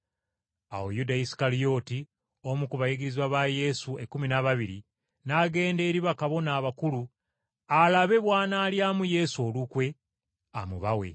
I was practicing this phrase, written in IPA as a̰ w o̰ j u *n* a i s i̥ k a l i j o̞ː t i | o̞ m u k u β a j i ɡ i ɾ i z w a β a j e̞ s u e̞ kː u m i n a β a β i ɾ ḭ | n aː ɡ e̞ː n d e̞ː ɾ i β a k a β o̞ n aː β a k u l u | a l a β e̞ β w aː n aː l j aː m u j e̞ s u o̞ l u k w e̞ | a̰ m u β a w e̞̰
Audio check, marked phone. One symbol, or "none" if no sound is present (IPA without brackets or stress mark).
d